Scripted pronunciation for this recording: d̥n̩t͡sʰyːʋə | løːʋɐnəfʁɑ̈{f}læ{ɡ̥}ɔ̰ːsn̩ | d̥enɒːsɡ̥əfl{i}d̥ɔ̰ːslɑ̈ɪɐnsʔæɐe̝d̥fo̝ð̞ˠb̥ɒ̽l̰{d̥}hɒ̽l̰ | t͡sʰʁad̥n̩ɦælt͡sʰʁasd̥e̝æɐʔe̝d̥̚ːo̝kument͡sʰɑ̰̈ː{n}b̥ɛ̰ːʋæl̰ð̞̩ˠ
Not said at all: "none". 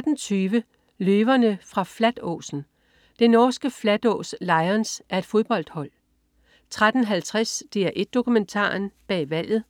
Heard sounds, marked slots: f, d̥, æ, d̥, n

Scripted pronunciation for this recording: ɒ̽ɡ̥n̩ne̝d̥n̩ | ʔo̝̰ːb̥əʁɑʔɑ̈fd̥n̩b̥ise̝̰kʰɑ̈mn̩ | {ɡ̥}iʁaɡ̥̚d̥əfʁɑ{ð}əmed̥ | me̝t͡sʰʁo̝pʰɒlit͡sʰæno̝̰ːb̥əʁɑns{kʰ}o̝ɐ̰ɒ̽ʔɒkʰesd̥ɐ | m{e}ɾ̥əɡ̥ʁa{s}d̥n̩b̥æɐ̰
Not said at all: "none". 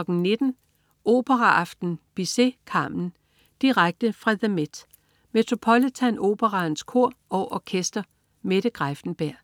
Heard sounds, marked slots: d̥, ð, kʰ, e, f

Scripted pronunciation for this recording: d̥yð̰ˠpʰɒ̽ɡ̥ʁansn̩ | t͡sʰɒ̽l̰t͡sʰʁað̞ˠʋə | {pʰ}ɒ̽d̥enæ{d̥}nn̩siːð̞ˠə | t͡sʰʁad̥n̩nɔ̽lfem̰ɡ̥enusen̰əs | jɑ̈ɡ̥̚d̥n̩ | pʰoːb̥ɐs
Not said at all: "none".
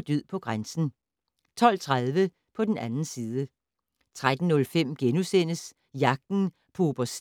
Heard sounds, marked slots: pʰ, none

